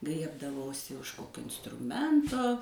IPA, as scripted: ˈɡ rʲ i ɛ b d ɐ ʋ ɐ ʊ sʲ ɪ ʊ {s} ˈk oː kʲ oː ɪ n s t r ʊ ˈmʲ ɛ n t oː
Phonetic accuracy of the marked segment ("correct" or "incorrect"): incorrect